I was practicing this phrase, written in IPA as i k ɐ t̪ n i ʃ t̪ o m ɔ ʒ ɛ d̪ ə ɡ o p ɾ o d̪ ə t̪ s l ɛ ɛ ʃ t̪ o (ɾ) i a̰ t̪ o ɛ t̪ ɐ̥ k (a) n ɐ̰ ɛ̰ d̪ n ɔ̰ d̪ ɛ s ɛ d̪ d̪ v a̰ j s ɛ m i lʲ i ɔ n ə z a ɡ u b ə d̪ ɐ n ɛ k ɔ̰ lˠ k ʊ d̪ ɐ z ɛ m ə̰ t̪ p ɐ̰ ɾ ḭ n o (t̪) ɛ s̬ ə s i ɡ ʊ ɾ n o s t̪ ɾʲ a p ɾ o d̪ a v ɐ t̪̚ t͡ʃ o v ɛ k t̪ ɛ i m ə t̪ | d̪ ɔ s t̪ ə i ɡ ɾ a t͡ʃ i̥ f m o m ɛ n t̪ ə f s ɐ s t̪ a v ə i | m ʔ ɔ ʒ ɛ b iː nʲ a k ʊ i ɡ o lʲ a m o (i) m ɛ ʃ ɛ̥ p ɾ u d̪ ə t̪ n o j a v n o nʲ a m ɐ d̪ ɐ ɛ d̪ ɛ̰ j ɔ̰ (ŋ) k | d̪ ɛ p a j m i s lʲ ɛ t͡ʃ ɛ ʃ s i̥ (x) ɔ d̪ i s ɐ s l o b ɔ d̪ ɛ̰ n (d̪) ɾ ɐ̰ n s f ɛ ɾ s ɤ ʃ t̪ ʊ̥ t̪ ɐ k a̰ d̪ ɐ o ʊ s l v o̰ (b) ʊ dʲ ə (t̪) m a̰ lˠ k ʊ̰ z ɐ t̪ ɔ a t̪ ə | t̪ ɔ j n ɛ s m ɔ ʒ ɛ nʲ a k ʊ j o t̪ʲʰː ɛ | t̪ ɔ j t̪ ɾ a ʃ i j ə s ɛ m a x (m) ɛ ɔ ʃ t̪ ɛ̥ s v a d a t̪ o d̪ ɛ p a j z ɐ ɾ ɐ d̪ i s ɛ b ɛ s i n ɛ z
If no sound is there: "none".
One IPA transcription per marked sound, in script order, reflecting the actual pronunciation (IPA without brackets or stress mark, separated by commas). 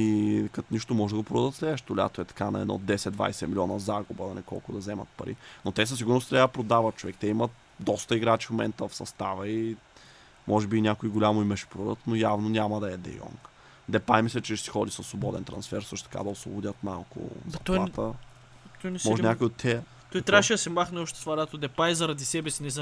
l, a, t̪, i, ŋ, x, t̪, b, t̪, n